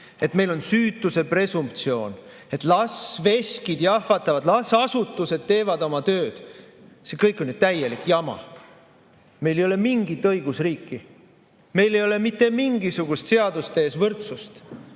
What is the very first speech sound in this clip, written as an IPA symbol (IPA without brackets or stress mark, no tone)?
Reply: e̞